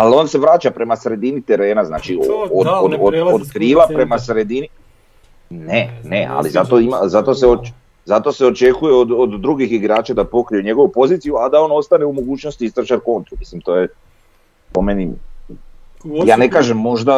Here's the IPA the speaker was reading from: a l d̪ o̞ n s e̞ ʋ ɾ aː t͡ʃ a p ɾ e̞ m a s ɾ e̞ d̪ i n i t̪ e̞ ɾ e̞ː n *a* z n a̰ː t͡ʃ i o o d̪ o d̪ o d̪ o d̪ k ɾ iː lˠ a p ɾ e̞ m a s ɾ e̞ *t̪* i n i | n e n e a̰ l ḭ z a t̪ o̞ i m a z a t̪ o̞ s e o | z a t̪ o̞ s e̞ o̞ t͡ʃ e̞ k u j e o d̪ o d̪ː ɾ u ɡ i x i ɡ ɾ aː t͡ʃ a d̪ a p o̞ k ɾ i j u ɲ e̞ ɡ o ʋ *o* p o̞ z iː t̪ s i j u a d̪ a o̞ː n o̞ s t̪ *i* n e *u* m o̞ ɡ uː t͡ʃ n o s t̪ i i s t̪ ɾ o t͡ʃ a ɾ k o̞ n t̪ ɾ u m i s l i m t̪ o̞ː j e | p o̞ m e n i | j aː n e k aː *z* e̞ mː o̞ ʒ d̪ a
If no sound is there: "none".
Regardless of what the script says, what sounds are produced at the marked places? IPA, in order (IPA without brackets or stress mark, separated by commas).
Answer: a, d̪, u, a, u, ʒ